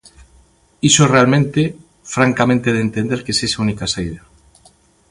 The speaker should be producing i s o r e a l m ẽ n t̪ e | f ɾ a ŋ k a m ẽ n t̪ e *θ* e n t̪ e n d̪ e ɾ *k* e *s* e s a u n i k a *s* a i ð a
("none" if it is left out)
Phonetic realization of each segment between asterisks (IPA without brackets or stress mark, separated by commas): ð, k, s, s